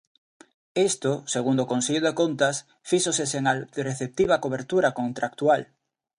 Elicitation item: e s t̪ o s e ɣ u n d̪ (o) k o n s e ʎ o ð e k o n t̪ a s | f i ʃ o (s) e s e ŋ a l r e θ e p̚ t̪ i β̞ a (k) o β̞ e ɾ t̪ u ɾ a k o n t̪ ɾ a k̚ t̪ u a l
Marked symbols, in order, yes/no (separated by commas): yes, yes, yes